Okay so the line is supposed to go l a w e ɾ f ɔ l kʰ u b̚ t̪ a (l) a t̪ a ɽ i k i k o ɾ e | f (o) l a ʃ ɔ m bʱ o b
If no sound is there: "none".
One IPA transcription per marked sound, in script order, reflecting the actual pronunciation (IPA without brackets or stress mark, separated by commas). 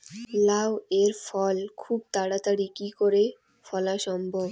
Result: ɽ, ɔ